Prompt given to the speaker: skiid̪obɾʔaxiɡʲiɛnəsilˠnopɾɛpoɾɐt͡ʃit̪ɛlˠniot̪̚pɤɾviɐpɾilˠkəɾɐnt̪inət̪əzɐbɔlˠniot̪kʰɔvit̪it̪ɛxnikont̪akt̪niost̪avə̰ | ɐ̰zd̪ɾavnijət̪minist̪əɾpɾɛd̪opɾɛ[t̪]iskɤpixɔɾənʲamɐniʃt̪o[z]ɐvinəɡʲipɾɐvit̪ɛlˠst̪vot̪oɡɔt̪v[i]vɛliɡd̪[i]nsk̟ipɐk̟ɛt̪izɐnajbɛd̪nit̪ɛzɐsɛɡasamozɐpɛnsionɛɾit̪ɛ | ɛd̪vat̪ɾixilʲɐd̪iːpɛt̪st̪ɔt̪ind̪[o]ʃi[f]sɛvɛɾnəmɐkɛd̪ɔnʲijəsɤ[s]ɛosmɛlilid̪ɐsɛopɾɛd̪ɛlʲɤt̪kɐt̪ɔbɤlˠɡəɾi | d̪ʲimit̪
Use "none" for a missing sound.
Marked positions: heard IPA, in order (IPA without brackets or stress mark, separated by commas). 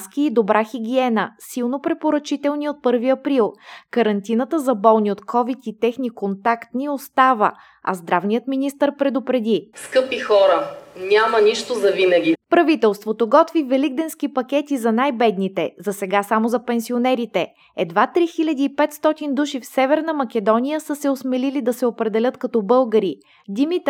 d̪, z, i, ɛ, u, f, s